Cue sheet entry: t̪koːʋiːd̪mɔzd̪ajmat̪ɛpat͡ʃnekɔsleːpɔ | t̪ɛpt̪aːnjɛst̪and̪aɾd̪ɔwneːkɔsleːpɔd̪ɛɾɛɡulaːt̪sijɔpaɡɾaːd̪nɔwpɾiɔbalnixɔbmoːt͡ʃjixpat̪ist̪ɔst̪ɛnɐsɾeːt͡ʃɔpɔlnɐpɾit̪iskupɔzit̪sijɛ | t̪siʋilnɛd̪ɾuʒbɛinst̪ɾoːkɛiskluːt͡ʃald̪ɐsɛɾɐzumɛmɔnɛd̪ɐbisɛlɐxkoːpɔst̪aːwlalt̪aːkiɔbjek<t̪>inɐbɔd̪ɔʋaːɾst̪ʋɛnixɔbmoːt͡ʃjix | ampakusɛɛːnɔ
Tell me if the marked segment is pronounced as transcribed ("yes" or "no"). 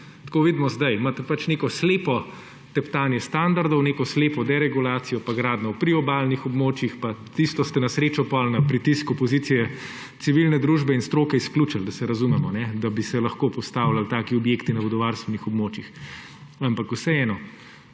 yes